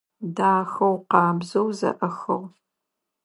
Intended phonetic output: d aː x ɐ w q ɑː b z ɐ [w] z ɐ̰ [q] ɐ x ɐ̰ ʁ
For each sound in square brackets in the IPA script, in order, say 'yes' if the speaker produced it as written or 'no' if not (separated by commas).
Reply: yes, no